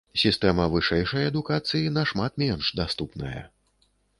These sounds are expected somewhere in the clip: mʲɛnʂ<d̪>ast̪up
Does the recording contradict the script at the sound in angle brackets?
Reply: no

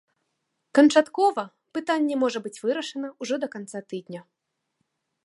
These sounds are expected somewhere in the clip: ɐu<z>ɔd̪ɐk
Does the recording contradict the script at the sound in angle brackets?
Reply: yes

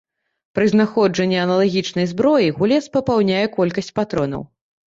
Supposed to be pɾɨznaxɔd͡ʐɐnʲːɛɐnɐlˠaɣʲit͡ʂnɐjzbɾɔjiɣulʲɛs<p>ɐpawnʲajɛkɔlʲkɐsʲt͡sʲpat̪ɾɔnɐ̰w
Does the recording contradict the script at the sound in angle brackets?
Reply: no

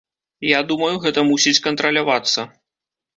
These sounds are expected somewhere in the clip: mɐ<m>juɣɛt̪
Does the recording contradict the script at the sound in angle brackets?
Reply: yes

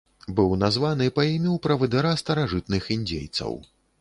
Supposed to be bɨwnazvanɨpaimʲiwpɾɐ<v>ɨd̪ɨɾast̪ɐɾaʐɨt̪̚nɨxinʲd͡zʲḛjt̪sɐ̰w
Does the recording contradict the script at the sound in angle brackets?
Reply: no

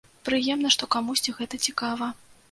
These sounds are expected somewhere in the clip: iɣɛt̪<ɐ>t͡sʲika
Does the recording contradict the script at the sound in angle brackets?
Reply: no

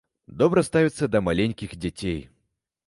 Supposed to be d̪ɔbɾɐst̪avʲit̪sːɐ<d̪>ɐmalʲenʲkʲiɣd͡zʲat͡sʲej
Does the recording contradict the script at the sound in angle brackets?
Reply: no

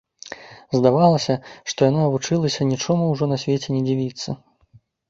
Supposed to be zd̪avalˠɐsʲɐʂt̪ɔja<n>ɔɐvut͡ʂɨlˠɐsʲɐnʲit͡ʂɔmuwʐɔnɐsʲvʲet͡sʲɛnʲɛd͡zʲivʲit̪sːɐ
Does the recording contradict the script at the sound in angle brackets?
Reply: no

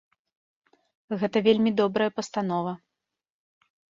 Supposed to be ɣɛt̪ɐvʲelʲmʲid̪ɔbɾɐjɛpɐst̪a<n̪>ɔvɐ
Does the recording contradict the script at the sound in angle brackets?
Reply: no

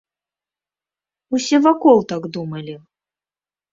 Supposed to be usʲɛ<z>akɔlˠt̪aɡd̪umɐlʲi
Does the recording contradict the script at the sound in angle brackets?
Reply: yes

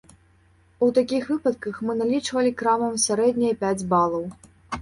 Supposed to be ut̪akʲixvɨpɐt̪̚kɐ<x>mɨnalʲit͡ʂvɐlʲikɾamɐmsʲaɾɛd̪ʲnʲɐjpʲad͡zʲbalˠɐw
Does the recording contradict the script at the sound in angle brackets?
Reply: no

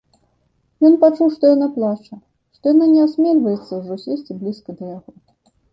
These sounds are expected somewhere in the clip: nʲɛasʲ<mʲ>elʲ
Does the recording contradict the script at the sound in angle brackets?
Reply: no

